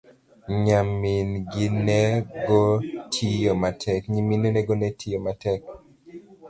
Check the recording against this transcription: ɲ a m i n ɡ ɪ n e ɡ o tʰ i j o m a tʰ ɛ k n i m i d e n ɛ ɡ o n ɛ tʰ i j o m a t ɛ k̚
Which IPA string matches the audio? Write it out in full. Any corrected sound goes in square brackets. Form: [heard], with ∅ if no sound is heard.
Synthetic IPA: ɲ a m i n ɡ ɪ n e ɡ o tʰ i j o m a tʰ ɛ k [ɲ] i m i [n] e n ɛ ɡ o n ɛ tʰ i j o m a t ɛ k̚